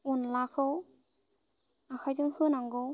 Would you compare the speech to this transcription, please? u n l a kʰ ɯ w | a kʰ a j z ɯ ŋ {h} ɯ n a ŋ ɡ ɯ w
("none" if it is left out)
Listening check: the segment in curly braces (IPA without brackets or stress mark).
h